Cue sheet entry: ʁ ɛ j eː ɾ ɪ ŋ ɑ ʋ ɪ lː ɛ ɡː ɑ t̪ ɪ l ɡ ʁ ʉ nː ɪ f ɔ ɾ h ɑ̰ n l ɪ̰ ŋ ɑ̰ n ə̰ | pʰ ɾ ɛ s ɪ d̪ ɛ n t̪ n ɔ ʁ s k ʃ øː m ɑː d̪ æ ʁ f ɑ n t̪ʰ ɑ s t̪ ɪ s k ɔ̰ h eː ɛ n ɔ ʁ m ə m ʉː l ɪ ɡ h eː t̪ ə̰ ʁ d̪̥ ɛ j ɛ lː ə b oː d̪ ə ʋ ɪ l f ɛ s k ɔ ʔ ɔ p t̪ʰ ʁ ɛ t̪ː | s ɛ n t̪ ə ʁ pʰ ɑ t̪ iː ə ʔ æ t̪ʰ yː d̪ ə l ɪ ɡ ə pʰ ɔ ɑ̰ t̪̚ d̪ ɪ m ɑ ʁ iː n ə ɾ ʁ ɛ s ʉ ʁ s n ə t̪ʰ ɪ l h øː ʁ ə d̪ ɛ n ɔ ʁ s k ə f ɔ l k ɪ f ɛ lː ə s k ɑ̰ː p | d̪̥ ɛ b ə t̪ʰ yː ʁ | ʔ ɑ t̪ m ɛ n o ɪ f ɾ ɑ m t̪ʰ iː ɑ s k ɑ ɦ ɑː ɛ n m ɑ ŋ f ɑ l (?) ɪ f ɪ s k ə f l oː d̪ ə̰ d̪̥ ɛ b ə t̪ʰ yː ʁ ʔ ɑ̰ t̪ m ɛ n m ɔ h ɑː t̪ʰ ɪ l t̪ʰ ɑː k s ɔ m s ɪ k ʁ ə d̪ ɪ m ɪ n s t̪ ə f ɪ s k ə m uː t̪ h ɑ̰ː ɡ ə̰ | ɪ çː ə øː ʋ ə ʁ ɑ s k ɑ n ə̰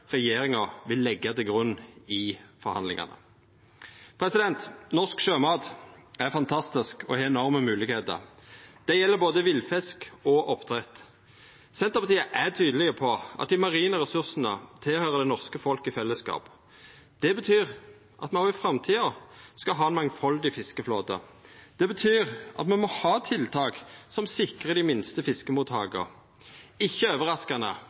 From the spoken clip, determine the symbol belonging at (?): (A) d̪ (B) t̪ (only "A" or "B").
A